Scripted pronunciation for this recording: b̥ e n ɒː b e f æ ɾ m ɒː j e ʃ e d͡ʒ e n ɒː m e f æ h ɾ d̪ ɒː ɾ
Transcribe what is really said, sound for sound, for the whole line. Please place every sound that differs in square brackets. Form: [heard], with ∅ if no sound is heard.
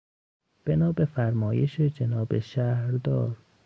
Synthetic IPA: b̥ e n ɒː b e f æ ɾ m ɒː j e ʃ e d͡ʒ e n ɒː [b] e [ʃ] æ h ɾ d̪ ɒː ɾ